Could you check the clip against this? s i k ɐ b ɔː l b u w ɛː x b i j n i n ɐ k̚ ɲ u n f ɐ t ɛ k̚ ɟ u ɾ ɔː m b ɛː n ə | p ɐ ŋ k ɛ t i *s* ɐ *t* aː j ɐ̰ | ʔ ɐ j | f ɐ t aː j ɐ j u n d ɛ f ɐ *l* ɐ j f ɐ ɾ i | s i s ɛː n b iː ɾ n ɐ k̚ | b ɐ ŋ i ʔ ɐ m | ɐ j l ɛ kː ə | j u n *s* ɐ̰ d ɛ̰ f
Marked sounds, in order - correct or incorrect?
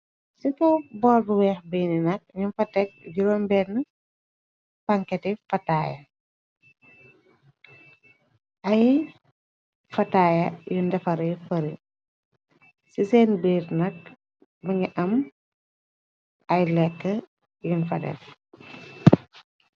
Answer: incorrect, correct, incorrect, incorrect

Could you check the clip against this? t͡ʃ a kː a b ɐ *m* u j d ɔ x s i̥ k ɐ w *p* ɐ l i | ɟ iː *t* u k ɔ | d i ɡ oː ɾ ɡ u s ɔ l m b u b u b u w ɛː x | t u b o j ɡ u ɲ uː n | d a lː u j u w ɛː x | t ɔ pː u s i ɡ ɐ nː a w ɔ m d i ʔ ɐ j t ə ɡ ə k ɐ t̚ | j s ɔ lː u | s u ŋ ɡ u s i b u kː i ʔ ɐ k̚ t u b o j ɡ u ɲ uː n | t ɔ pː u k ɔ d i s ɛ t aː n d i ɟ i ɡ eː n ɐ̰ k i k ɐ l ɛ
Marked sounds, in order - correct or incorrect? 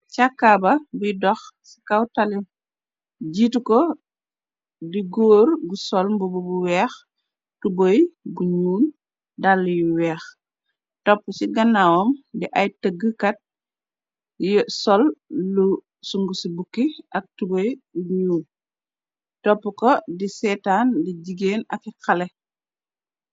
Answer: incorrect, incorrect, correct

